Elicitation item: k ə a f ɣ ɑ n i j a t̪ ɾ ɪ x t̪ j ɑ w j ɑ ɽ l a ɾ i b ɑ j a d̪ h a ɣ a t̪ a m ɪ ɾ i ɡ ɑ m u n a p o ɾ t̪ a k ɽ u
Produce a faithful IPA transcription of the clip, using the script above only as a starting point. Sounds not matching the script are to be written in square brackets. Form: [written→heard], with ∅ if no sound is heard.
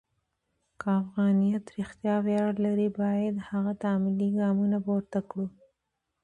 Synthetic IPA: k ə a f ɣ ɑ n i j a t̪ ɾ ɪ x t̪ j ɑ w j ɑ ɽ l a ɾ i b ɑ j a d̪ h a ɣ a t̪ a m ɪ [ɾ→l] i ɡ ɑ m u n a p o ɾ t̪ a k ɽ u